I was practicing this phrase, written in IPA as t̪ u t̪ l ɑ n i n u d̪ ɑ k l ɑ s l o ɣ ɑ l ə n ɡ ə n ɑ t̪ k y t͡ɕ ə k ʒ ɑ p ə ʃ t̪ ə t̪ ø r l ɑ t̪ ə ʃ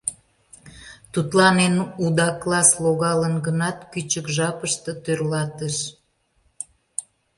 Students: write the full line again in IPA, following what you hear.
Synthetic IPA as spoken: t̪ u t̪ l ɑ n e n u d̪ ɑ k l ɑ s l o ɣ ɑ l ə n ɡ ə n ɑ t̪ k y t͡ɕ ə k ʒ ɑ p ə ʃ t̪ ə t̪ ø r l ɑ t̪ ə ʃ